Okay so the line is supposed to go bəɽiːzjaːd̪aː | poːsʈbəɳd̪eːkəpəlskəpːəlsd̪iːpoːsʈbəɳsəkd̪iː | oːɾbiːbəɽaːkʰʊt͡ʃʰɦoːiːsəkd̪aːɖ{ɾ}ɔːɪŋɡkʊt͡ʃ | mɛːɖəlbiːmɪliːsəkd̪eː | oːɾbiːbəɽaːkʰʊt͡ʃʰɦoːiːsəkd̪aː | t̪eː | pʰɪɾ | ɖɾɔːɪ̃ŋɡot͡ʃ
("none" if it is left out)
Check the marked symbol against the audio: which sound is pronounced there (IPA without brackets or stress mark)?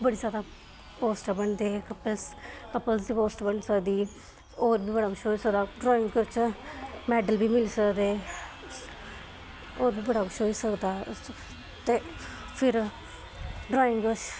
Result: ɾ